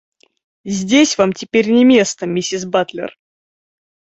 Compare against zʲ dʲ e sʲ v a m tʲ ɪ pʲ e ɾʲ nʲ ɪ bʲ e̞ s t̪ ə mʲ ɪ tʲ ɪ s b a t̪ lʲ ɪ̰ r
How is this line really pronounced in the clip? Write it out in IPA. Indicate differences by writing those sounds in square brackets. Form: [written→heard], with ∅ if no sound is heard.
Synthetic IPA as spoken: zʲ dʲ e sʲ v a m tʲ ɪ pʲ e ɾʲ nʲ ɪ [bʲ→mʲ] e̞ s t̪ ə mʲ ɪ [tʲ→sʲ] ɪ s b a t̪ lʲ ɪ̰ r